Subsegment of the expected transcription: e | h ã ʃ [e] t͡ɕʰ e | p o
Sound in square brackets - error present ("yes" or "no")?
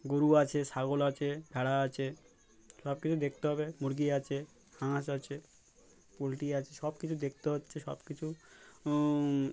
yes